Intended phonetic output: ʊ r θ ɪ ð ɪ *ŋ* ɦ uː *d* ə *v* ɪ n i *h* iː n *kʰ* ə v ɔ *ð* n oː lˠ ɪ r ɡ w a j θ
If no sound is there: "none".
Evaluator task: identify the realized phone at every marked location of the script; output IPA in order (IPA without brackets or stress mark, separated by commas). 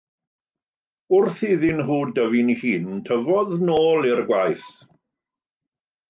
n, d, v, h, tʰ, ð